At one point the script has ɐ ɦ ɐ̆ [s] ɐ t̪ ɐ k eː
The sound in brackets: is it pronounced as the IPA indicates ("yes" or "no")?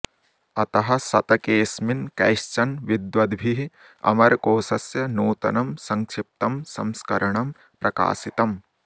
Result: yes